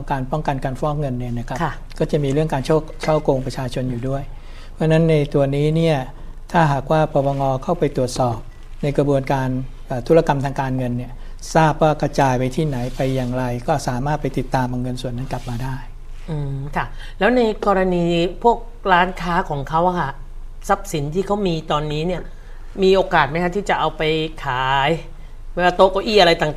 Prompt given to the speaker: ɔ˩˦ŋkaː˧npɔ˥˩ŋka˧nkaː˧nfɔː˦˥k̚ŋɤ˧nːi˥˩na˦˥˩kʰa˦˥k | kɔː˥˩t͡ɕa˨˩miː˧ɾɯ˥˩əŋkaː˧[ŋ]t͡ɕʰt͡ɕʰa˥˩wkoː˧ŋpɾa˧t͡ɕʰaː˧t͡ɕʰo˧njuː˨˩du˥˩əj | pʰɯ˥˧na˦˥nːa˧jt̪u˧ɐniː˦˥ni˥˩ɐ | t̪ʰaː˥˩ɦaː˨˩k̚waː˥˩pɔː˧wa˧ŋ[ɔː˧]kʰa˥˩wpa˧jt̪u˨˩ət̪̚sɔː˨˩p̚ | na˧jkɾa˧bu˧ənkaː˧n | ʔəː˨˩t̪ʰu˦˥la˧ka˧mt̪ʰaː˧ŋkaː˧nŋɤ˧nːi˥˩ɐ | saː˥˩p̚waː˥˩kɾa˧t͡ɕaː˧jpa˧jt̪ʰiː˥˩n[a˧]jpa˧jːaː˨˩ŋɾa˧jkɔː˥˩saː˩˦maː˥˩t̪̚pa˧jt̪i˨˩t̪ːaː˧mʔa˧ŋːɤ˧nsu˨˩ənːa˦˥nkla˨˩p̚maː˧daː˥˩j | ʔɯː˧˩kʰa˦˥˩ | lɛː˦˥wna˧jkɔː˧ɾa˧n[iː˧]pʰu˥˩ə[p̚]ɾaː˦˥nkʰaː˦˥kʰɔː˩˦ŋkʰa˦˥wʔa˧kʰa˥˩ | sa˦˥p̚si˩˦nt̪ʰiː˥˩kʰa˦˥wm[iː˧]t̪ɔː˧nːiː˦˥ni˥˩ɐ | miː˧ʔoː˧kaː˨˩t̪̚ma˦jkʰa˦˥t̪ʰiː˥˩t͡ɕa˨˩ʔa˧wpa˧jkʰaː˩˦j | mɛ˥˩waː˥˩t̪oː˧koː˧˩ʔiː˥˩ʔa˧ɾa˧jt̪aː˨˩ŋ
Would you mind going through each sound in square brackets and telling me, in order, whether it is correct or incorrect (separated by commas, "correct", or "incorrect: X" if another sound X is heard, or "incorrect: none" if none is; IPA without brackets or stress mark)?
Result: incorrect: n, correct, incorrect: a˩˦, correct, incorrect: k̚, correct